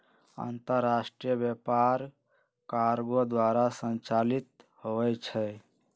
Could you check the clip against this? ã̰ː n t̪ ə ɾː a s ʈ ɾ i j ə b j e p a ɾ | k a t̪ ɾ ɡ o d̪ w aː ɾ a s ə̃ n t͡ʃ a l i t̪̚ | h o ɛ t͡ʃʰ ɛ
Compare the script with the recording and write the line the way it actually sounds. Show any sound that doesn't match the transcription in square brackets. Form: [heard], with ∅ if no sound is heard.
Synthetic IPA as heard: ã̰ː n t̪ ə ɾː a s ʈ ɾ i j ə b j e p a ɾ | k a [∅] ɾ ɡ o d̪ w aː ɾ a s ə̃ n t͡ʃ a l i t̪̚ | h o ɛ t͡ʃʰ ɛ